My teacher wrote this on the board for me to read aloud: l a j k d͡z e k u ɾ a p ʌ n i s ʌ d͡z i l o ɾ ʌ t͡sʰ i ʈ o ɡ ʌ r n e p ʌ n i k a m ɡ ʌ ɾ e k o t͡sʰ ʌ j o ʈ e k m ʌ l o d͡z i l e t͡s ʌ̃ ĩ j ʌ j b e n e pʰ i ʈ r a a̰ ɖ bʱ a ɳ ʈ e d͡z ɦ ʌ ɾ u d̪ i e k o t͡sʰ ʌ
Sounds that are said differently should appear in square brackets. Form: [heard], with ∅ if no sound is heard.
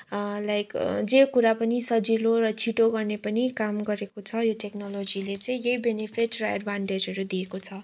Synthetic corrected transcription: l a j k d͡z e k u ɾ a p ʌ n i s ʌ d͡z i l o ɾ ʌ t͡sʰ i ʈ o ɡ ʌ r n e p ʌ n i k a m ɡ ʌ ɾ e k o t͡sʰ ʌ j o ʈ e k [n] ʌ l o d͡z i l e t͡s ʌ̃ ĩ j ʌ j b e n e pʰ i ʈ r [ʌ] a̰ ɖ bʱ a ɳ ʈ e d͡z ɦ ʌ ɾ u d̪ i e k o t͡sʰ ʌ